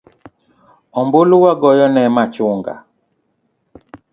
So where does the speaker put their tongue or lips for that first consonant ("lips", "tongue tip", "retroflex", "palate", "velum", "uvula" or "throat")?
lips